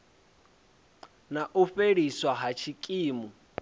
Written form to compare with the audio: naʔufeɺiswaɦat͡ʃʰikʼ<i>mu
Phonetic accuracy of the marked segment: incorrect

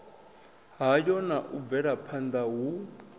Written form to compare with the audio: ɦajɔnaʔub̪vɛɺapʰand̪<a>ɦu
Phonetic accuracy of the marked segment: correct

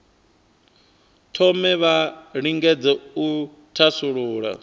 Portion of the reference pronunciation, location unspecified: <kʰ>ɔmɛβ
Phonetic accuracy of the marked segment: incorrect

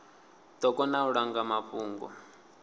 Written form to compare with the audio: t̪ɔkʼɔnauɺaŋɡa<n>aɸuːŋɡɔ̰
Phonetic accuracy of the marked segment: incorrect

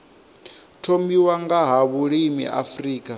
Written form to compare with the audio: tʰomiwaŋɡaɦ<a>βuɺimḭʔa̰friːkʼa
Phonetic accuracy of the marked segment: correct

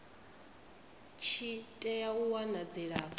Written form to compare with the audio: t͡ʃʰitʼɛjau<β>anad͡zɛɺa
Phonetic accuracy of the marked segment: incorrect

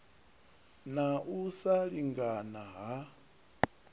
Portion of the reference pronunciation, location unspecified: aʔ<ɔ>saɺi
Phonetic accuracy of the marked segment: incorrect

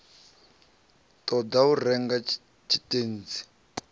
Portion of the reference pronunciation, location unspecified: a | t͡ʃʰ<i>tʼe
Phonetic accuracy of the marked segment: correct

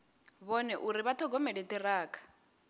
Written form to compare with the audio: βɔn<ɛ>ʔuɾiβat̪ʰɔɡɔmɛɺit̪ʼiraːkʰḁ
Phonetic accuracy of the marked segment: correct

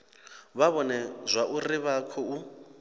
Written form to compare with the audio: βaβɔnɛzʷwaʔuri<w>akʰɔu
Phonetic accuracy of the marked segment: incorrect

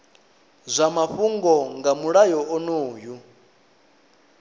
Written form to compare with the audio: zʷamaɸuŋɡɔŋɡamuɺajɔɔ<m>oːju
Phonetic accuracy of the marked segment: incorrect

